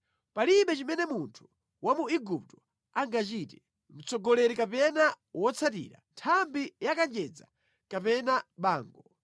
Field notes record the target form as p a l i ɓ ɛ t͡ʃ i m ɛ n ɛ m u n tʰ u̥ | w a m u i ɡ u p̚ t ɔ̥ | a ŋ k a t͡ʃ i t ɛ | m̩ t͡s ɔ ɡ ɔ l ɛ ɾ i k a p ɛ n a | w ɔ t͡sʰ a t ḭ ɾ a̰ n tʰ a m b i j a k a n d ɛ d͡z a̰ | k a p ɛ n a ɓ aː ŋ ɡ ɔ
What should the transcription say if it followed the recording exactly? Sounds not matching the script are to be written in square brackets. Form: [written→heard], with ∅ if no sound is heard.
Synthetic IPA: p a l i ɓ ɛ t͡ʃ i m ɛ n ɛ m u n tʰ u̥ | w a m u i ɡ u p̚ t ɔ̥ | a ŋ [k→ɡ] a t͡ʃ i t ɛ | m̩ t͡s ɔ ɡ ɔ l ɛ ɾ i k a p ɛ n a | w ɔ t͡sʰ a t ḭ ɾ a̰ n tʰ a m b i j a k a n [d→d͡ʒ] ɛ d͡z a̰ | k a p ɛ n a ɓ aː ŋ ɡ ɔ